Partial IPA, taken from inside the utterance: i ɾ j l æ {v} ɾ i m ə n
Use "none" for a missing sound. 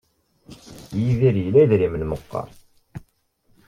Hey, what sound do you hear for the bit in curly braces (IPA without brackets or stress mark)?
ð